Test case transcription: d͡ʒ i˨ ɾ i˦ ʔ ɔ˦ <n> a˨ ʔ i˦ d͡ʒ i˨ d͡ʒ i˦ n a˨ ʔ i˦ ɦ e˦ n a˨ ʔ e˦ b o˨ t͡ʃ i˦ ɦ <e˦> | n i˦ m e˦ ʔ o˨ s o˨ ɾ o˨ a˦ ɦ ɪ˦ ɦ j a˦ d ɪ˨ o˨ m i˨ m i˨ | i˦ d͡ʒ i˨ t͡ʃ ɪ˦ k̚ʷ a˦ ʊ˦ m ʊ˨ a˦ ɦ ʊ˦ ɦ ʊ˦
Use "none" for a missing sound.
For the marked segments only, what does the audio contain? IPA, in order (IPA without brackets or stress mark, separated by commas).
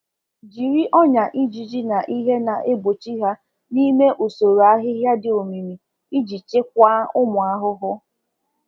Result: ɲ, a˦